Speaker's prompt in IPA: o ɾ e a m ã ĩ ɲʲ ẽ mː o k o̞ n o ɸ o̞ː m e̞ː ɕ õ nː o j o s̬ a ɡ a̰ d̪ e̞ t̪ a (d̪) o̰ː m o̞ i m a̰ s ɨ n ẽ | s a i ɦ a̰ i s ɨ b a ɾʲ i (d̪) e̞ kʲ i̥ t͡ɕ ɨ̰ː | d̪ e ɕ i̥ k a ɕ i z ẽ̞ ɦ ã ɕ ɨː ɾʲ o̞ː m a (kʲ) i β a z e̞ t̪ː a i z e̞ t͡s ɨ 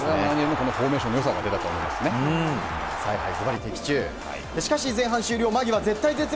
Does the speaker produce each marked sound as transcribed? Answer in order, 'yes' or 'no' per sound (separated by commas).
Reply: no, no, no